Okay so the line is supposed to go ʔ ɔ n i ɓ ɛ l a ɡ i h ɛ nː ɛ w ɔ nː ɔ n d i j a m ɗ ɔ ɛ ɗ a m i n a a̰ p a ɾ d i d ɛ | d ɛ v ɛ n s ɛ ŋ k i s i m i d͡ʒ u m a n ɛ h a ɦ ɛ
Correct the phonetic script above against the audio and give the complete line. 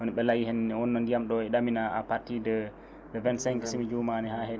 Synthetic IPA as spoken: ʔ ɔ n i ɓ ɛ l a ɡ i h ɛ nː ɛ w ɔ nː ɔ n d i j a m ɗ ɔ ɛ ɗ a m i n a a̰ p a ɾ t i d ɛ | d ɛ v ɛ n s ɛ ŋ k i s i m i d͡ʒ u m a n ɛ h a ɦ ɛ